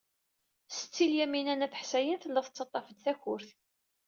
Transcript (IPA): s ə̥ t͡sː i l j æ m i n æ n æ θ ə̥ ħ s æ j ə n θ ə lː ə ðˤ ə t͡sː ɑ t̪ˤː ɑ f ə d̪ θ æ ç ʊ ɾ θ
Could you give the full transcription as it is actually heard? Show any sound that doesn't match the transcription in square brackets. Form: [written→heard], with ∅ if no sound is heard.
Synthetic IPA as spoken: s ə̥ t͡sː i l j æ m i n æ n æ θ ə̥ ħ s æ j ə n θ ə lː ə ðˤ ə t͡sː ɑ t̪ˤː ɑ f ə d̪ θ æ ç ʊ ɾ θ